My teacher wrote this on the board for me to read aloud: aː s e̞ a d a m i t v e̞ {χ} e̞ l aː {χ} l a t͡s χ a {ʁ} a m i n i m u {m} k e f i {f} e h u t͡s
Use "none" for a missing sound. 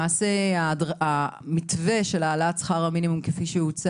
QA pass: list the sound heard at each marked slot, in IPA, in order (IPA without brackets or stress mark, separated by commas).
ʃ, none, ʁ, m, ʃ